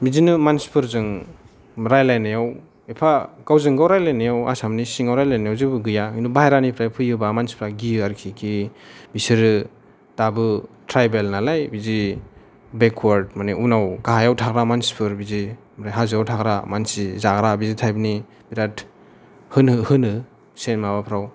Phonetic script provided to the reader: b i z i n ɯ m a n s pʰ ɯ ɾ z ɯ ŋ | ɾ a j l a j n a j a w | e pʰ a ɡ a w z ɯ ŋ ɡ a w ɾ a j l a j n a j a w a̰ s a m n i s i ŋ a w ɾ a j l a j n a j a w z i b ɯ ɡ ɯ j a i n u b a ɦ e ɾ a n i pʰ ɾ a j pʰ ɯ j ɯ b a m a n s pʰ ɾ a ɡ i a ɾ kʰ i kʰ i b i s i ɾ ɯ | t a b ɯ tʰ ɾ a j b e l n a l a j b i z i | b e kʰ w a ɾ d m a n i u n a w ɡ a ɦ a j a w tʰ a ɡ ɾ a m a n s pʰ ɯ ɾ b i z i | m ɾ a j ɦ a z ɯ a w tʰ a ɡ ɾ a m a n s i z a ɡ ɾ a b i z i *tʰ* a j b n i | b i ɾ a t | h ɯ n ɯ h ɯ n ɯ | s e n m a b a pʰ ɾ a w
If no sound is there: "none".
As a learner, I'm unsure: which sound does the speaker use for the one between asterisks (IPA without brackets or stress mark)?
tʰ